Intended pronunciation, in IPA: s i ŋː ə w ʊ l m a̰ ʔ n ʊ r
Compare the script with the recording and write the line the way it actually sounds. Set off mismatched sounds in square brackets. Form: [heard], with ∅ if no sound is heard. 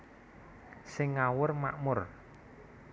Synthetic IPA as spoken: s [ɪ] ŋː [a] w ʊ [r] m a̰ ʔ [m] ʊ r